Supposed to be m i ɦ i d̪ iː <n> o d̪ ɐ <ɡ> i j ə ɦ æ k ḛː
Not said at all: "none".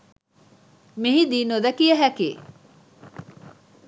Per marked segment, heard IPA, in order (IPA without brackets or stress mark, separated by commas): n, k